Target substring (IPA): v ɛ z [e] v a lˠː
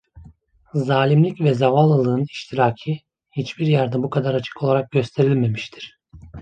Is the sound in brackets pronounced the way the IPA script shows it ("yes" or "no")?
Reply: no